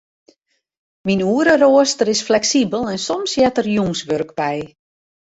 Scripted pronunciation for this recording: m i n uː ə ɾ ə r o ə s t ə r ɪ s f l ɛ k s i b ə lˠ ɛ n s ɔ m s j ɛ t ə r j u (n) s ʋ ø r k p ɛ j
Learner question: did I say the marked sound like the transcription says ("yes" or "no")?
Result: no